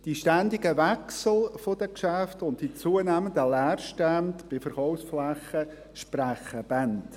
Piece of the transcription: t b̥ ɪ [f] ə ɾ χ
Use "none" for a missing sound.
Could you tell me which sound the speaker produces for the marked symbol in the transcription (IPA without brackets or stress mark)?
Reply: f